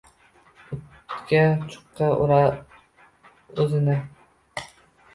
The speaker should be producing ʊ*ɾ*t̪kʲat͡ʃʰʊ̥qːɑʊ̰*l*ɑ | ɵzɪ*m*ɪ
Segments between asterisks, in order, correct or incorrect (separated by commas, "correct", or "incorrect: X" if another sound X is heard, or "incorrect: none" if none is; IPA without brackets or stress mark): incorrect: none, incorrect: ɾ, incorrect: n